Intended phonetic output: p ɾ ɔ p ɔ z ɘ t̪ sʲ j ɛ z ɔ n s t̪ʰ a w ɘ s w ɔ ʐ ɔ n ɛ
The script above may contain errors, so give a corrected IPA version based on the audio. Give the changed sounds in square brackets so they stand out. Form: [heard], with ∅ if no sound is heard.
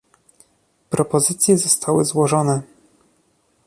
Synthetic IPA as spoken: p ɾ ɔ p ɔ z ɘ t̪ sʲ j ɛ z ɔ [∅] s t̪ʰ a w ɘ [z] w ɔ ʐ ɔ n ɛ